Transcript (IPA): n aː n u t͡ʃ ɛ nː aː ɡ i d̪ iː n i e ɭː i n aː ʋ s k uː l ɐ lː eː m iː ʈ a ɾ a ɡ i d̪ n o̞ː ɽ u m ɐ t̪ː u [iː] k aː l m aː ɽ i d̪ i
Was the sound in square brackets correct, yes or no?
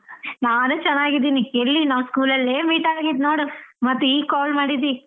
yes